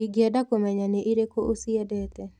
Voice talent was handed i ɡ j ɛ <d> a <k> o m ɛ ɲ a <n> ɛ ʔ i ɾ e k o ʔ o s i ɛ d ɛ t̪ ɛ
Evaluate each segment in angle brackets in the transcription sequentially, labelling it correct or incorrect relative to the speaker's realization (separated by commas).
correct, correct, correct